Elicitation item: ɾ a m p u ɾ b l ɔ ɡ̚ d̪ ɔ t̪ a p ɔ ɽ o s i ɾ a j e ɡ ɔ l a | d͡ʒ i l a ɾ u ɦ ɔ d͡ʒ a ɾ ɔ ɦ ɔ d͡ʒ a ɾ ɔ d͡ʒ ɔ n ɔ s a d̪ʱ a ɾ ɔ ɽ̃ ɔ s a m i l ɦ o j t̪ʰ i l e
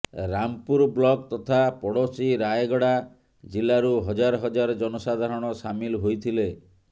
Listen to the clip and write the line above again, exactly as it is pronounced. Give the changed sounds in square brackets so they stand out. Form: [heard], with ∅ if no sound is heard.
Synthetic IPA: ɾ a m p u ɾ b l ɔ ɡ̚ [t̪] ɔ [t̪ʰ] a p ɔ ɽ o s i ɾ a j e ɡ ɔ [ɽ] a | d͡ʒ i l a ɾ u ɦ ɔ d͡ʒ a ɾ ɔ ɦ ɔ d͡ʒ a ɾ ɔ d͡ʒ ɔ n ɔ s a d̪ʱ a ɾ ɔ ɽ̃ ɔ s a m i l ɦ o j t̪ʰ i l e